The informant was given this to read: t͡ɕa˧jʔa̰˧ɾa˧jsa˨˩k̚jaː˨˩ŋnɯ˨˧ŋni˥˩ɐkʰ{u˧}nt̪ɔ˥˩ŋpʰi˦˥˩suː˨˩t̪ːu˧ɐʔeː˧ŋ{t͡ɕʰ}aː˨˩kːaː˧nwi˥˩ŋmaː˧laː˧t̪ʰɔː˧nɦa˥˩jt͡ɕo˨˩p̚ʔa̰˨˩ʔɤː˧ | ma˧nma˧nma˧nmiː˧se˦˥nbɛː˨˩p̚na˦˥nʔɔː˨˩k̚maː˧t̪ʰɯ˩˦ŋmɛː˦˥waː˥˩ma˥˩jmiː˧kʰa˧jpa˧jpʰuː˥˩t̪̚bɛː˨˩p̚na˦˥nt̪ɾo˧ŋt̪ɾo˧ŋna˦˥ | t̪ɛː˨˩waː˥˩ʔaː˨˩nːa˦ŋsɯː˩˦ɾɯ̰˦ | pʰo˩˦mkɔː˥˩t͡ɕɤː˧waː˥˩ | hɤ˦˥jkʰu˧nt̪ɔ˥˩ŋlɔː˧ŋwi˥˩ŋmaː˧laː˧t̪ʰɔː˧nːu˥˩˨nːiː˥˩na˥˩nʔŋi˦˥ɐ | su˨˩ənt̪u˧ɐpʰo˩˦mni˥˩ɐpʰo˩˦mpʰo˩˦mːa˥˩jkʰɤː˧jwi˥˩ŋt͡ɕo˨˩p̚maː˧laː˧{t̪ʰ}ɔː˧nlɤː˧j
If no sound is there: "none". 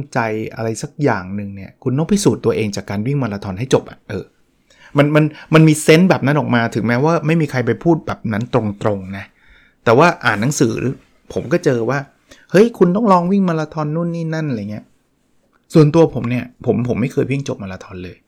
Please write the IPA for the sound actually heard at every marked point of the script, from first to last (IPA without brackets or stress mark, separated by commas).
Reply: u˧, t͡ɕ, t̪ʰ